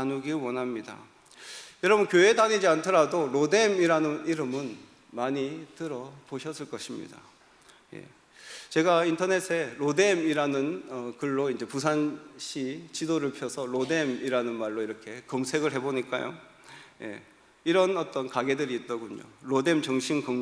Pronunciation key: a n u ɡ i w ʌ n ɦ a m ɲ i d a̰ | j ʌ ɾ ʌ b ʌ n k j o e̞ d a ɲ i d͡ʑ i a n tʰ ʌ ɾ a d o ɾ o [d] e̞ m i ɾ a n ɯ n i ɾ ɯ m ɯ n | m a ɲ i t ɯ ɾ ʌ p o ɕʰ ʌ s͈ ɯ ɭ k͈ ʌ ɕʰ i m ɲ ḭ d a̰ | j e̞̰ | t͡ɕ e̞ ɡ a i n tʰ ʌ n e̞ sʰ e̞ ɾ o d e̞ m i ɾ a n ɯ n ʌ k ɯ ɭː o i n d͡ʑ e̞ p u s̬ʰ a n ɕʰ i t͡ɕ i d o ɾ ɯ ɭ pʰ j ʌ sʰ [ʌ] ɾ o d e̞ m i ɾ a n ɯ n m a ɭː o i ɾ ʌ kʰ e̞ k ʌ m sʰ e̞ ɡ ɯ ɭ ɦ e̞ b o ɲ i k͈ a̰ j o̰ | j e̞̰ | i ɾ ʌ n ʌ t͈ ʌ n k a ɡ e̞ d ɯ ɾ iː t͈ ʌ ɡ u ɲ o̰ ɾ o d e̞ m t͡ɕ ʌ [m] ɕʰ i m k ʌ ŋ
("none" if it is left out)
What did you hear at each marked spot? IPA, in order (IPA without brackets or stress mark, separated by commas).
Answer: d, ʌ, ŋ